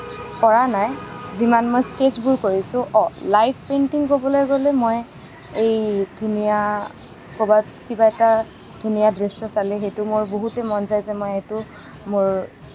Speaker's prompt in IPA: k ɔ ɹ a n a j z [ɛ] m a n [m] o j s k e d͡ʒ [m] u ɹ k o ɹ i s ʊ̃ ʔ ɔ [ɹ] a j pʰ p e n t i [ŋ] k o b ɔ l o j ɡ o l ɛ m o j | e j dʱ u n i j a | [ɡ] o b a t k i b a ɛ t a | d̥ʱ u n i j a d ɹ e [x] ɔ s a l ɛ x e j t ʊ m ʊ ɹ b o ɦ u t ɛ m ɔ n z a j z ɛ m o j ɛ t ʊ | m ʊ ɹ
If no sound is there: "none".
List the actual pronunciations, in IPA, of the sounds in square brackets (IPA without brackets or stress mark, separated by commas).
i, m, b, l, ŋ, k, s